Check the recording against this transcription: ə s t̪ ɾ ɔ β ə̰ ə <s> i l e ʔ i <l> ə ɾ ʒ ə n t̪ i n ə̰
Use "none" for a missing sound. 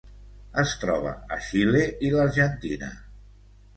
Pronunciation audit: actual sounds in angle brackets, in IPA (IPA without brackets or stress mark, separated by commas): ʃ, l